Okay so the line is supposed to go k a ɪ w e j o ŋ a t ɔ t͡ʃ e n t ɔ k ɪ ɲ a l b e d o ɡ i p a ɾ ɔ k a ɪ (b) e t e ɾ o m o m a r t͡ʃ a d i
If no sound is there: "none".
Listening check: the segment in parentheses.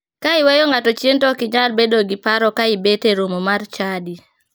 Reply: b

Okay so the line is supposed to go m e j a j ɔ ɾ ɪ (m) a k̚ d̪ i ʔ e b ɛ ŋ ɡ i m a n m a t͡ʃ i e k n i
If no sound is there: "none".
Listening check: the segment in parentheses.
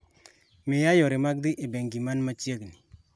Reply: m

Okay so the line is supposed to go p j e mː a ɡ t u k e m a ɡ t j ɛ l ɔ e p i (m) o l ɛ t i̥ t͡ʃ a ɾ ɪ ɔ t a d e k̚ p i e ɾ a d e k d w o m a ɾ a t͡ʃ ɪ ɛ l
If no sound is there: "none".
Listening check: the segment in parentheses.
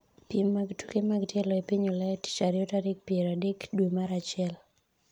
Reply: ɲ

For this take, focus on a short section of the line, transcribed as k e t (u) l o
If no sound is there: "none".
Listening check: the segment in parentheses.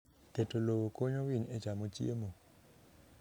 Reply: o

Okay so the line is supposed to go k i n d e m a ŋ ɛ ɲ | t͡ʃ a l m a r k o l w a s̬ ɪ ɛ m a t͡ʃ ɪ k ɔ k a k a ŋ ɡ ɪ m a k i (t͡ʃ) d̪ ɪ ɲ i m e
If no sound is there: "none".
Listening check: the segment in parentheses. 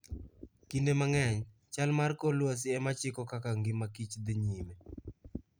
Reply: t͡ʃ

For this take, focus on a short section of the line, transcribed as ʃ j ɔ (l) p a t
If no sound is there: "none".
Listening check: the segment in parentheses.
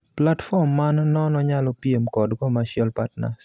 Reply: l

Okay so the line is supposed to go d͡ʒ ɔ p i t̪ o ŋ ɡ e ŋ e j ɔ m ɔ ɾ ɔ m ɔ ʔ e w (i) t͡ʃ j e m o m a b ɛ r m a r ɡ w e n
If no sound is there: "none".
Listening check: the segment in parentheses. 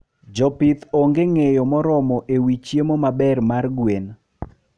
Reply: i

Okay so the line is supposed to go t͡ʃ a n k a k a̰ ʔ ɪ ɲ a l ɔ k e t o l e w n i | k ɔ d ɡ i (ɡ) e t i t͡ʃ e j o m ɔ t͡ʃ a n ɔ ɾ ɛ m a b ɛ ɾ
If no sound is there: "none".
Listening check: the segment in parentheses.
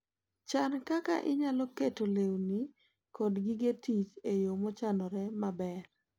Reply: ɡ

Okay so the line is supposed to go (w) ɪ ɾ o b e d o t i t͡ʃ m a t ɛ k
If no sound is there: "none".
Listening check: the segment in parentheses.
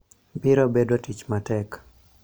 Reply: b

